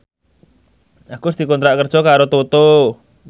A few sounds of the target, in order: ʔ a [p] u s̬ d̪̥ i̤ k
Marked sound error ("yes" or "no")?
yes